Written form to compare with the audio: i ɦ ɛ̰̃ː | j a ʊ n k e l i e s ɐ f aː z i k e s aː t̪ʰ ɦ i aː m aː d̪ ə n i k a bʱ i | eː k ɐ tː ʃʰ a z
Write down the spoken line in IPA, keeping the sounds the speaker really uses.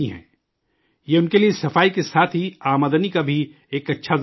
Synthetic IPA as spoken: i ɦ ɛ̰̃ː | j e ʊ n k e l i e s ɐ f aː i k e s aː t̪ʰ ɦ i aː m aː d̪ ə n i k a bʱ i | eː k ɐ tː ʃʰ a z